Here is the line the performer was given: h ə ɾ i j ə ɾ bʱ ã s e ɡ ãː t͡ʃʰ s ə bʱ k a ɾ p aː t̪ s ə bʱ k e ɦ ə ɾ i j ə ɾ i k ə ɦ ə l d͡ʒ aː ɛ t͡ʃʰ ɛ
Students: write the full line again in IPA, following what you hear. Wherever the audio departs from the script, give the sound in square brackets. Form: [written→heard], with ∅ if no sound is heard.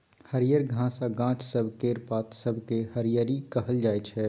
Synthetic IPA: h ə ɾ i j ə ɾ [bʱ→ɡʱ] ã s [e→a] ɡ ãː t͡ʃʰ s ə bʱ k [a→e] ɾ p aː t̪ s ə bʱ k e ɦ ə ɾ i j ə ɾ i k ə ɦ ə l d͡ʒ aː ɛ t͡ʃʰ ɛ